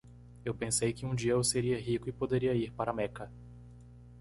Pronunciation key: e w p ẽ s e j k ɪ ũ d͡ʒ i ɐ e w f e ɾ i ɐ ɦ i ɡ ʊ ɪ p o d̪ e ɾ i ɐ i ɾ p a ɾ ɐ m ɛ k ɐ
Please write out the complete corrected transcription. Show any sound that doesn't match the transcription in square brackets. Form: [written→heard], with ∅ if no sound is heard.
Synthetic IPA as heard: e w p ẽ s e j k ɪ ũ d͡ʒ i ɐ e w [f→s] e ɾ i ɐ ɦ i [ɡ→k] ʊ ɪ p o d̪ e ɾ i ɐ i ɾ p a ɾ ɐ m ɛ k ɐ